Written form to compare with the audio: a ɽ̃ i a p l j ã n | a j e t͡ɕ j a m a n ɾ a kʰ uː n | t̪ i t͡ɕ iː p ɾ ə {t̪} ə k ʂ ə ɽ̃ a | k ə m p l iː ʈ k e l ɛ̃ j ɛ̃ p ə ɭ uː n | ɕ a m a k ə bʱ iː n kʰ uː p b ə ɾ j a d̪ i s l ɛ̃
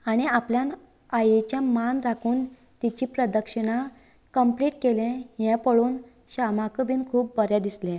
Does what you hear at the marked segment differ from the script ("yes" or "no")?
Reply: yes